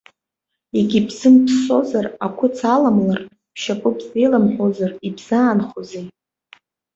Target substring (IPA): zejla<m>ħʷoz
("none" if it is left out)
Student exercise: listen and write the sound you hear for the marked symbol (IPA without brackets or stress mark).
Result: m